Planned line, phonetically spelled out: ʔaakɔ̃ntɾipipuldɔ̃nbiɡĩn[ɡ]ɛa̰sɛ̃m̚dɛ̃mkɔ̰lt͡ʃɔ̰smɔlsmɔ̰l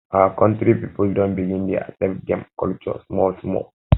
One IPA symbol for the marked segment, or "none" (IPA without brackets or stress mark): d